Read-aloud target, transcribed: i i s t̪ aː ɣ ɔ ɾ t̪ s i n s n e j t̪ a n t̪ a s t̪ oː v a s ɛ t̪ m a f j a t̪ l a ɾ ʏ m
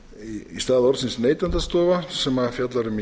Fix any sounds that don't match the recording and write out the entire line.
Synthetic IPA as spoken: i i s t̪ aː ð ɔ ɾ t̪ s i n s n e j t̪ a n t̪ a s t̪ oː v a s ɛ m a f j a t̪ l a ɾ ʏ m

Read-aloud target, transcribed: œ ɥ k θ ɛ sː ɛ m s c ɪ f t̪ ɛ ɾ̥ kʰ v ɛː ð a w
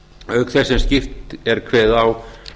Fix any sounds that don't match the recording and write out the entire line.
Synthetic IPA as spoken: œ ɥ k θ ɛ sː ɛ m s c ɪ f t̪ ɛ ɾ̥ kʰ v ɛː ð a w

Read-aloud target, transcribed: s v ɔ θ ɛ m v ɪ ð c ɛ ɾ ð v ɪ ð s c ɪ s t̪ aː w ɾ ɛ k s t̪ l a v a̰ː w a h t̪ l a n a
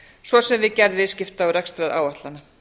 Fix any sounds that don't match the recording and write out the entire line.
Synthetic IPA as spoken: s v ɔ s ɛ m v ɪ ð c ɛ ɾ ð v ɪ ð s c ɪ f t̪ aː w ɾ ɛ k s t̪ ɾ a ð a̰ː w a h t̪ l a n a

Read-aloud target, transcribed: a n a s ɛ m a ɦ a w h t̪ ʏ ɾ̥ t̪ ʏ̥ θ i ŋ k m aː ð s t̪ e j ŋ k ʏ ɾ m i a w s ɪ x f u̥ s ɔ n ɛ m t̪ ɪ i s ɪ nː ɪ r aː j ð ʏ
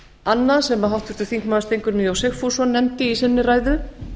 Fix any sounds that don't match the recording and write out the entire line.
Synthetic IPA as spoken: a nː a s ɛ m a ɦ a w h t̪ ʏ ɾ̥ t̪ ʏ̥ θ i ŋ k m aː ð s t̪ e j ŋ k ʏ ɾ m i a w s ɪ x f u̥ s ɔ n ɛ m t̪ ɪ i s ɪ nː ɪ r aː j ð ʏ

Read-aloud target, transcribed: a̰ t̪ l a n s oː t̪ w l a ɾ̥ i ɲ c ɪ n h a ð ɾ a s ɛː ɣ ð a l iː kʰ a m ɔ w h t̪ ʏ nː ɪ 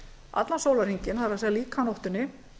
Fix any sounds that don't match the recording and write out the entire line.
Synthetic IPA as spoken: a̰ t̪ l a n s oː w l a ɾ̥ i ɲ c ɪ n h a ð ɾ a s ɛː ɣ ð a l iː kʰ a n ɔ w h t̪ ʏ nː ɪ

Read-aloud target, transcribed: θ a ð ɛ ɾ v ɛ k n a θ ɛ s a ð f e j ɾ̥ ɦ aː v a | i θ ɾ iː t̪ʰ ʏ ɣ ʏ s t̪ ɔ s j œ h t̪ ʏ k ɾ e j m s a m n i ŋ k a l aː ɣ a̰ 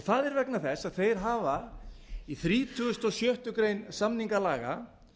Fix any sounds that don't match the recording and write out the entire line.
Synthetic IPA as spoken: θ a ð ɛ ɾ v ɛ k n a θ ɛ s a ð θ e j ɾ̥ ɦ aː v a | i θ ɾ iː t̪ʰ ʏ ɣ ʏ s t̪ ɔ s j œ h t̪ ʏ k ɾ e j n s a m n i ŋ k a l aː ɣ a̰

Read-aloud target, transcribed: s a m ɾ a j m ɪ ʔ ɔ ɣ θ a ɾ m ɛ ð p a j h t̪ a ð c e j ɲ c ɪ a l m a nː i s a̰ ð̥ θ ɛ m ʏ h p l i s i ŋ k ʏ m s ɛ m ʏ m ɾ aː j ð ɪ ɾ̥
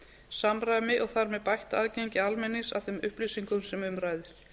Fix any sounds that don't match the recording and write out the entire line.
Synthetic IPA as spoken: s a m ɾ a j m ɪ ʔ ɔ ɣ θ a ɾ m ɛ ð p a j h t̪ a ð c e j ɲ c ɪ a l m ɛ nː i s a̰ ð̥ θ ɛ m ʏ h p l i s i ŋ k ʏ m s ɛ m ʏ m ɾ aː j ð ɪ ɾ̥

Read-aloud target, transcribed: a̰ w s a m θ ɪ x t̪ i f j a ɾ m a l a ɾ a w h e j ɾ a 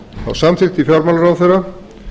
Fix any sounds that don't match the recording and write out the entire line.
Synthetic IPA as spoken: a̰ w s a m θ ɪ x t̪ i f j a ɾ m a l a ɾ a w θ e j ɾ a

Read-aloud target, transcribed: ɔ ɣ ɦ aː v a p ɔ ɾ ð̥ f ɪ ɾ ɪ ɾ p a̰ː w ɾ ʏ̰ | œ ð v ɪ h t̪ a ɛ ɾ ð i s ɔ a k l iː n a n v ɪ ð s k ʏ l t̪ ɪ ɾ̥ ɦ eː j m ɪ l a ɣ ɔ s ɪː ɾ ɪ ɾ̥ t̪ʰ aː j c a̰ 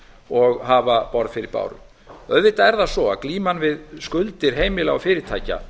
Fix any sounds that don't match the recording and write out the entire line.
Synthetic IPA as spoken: ɔ ɣ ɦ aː v a p ɔ ɾ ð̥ f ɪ ɾ ɪ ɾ p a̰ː w ɾ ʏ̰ | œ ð v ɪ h t̪ a ɛ ɾ ð a s ɔ a k l iː m a n v ɪ ð s k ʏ l t̪ ɪ ɾ̥ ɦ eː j m ɪ l a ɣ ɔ f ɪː ɾ ɪ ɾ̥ t̪ʰ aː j c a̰

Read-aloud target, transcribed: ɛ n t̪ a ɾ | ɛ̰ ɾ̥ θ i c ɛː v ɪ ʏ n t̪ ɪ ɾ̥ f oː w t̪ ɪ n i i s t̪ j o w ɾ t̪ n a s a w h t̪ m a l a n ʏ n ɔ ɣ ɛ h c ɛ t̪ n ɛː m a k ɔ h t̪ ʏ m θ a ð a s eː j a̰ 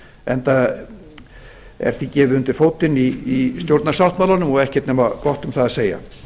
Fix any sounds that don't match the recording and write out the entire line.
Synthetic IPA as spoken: ɛ n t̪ a | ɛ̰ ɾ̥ θ i c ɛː v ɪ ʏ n t̪ ɪ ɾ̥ f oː w t̪ ɪ n i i s t̪ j o w ɾ t̪ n a s a w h t̪ m a l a n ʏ m ɔ ɣ ɛ h c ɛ t̪ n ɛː m a k ɔ h t̪ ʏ m θ a ð a s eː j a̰

